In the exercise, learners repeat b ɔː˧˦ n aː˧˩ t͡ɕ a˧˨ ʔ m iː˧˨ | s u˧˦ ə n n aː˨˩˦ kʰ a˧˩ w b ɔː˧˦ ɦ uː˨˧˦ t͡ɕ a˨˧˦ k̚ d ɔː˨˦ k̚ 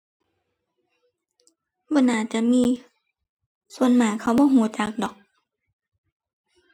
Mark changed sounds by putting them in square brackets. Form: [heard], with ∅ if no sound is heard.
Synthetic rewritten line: b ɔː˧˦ n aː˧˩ t͡ɕ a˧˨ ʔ m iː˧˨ | s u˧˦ ə n [m] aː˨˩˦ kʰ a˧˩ w b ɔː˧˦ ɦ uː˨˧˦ t͡ɕ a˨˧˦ k̚ d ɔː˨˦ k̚